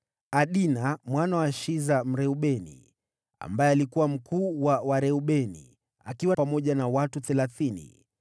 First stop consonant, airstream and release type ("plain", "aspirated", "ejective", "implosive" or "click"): implosive